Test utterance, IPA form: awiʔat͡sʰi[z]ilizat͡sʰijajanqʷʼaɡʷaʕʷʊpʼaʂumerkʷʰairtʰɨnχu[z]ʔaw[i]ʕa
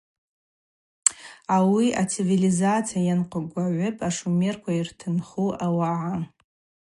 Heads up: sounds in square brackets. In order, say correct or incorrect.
incorrect: v, incorrect: none, incorrect: a

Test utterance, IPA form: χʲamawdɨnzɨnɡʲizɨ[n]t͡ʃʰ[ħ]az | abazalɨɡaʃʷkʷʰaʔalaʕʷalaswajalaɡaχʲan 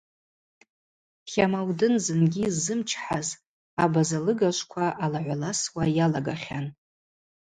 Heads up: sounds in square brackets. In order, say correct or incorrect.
incorrect: m, correct

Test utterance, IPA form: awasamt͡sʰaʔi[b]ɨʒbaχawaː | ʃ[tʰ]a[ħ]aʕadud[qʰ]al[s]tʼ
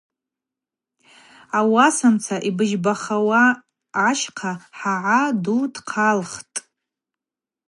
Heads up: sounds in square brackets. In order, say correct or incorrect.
correct, incorrect: qʰ, correct, correct, incorrect: χ

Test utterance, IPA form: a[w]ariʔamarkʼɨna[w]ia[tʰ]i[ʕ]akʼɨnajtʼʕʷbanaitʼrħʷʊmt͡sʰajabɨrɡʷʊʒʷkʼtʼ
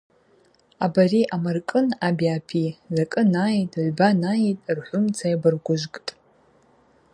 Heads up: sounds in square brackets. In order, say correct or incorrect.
incorrect: b, incorrect: b, incorrect: pʰ, incorrect: z

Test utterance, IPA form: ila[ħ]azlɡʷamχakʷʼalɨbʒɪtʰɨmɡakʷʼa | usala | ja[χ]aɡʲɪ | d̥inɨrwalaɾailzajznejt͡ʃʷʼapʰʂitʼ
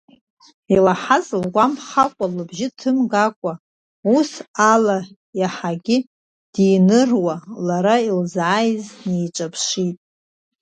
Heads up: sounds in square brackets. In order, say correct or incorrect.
correct, incorrect: ħ

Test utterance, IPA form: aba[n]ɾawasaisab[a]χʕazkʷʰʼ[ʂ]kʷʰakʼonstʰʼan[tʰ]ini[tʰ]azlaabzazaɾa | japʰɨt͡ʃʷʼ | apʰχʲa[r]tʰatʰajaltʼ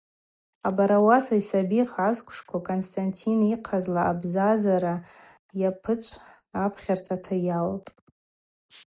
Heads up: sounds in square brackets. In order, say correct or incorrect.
incorrect: none, incorrect: i, correct, correct, incorrect: qʰ, correct

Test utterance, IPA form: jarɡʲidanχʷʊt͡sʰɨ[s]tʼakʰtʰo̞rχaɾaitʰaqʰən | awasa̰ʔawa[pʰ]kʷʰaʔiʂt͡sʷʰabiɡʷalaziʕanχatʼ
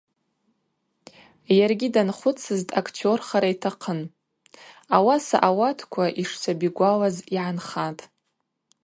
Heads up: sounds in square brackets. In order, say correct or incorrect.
incorrect: z, incorrect: tʰ

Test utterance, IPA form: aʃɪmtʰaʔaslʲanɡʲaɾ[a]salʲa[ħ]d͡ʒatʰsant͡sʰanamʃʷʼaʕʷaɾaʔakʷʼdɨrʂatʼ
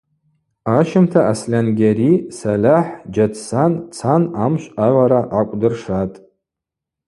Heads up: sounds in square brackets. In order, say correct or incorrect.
incorrect: i, correct

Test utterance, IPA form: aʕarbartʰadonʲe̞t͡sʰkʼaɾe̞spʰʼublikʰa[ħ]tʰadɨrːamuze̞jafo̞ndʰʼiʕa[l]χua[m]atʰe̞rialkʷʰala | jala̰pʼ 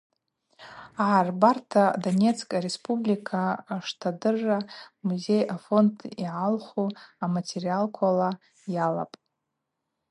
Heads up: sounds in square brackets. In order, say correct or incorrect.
incorrect: ʂ, correct, correct

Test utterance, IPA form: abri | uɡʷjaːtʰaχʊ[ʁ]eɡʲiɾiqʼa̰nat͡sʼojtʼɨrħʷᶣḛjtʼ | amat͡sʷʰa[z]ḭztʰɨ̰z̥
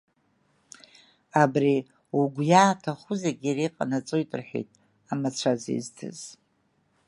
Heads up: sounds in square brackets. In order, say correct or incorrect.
incorrect: z, correct

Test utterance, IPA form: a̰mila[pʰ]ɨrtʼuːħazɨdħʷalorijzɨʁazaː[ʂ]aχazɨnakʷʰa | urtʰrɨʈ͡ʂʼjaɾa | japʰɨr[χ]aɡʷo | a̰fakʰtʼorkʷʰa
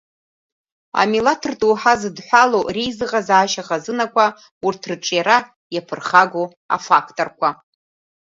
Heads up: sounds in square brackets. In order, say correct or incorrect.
incorrect: tʰ, incorrect: ʃ, correct

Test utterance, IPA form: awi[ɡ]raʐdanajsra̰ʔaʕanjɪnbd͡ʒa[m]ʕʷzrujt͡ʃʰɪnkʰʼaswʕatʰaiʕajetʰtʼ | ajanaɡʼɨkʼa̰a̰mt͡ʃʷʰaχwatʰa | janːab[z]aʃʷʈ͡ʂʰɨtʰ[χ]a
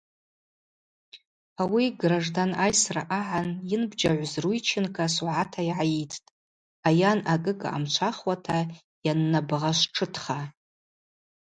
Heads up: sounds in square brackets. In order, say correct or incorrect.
correct, incorrect: none, incorrect: ʁ, correct

